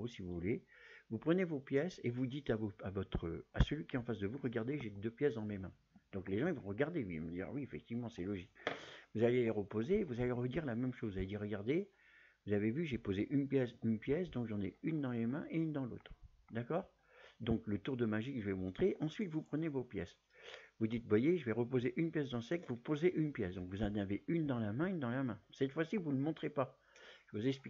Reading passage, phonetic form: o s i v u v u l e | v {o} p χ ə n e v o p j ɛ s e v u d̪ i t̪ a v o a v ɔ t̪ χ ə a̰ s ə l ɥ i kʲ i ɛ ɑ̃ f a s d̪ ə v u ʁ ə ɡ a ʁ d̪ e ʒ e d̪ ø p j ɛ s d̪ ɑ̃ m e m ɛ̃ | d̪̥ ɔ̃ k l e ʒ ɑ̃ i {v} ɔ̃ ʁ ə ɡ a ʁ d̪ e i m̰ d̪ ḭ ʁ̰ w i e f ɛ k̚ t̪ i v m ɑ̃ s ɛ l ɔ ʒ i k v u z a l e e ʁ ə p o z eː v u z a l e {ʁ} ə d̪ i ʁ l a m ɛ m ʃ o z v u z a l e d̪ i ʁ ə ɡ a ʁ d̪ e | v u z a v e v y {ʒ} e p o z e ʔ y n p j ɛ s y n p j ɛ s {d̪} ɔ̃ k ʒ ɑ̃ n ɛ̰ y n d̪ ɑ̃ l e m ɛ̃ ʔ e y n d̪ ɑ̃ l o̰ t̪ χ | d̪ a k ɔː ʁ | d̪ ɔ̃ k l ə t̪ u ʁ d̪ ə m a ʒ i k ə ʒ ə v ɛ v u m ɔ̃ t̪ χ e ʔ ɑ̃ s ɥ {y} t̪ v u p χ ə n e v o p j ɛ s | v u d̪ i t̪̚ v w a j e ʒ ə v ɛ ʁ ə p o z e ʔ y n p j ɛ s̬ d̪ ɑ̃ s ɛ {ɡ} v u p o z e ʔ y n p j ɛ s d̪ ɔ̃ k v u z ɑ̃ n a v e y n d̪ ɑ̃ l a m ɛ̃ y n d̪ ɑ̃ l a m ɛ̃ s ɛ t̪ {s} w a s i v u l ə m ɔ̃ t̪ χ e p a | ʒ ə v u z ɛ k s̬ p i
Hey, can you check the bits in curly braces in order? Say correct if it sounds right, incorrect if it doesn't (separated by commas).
incorrect, correct, correct, correct, correct, incorrect, incorrect, incorrect